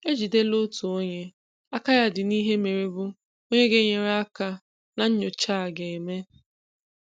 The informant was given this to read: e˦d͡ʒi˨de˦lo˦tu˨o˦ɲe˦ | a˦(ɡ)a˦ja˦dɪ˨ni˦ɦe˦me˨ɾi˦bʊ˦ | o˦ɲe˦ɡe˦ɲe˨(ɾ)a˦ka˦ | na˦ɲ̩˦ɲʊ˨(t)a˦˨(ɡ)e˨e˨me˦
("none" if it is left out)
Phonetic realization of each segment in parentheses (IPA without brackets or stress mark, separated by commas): k, ɾ, t͡ʃ, ɡ